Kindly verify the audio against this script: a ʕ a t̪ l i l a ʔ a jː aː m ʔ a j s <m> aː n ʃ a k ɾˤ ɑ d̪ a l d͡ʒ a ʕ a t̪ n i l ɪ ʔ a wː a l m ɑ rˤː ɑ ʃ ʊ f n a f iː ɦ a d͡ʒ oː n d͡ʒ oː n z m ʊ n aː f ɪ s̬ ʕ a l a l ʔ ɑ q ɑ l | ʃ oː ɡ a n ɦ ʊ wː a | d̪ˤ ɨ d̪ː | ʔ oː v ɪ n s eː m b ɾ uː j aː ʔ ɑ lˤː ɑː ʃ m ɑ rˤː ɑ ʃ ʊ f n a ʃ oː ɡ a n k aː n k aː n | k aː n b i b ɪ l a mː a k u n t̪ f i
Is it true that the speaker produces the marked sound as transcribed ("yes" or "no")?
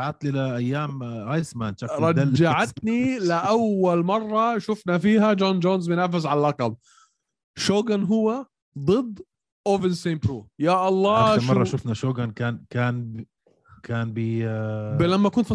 yes